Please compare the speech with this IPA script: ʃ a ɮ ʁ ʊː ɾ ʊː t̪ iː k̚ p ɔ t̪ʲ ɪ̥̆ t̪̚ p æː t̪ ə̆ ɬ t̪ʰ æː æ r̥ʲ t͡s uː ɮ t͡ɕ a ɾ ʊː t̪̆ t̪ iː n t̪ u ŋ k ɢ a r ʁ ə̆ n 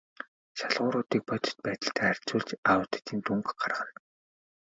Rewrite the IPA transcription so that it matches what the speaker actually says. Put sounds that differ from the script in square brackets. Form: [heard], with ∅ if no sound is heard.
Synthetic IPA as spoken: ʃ a ɮ ʁ ʊː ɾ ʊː t̪ iː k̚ p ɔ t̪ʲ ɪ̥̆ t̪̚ p æː t̪ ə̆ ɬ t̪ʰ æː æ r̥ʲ t͡s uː ɮ t͡ɕ a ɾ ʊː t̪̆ t̪ iː n t̪ u ŋ k ɢ a r ʁ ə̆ n